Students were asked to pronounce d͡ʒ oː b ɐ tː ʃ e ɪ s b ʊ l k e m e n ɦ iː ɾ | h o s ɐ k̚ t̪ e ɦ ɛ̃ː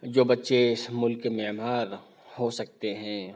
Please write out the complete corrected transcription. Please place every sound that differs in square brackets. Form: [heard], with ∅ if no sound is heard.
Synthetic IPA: d͡ʒ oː b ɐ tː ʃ e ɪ s [m] ʊ l k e m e [m] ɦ [aː] ɾ | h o s ɐ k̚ t̪ e ɦ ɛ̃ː